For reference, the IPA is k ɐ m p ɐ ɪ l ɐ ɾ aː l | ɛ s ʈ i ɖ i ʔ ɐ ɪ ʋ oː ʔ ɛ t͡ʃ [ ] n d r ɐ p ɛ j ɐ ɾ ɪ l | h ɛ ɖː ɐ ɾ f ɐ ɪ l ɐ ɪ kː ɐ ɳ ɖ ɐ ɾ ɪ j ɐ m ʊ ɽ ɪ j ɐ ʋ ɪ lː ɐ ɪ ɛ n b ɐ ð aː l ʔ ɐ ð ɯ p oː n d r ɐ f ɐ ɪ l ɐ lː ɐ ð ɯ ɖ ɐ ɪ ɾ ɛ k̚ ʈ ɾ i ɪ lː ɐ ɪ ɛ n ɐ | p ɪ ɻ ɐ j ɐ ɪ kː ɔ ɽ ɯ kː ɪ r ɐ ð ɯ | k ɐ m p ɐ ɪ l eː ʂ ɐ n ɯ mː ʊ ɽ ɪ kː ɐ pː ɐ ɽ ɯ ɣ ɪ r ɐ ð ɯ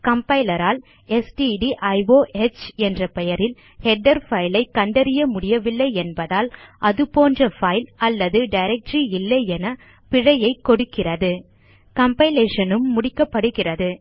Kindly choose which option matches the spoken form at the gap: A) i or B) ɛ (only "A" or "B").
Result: B